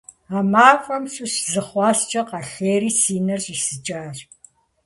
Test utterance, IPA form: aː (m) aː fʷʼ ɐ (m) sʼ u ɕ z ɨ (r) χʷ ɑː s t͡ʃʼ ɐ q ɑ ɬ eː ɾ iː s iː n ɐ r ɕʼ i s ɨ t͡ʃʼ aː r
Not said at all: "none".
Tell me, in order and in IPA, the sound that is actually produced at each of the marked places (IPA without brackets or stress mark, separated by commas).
m, m, none